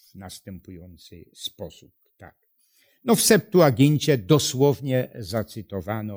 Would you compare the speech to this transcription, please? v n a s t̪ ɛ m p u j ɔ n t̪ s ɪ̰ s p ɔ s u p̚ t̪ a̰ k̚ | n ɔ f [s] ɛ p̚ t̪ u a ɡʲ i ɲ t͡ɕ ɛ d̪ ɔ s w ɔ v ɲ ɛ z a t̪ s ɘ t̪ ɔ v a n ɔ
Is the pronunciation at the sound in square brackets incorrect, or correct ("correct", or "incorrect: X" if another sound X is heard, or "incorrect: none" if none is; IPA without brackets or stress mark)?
correct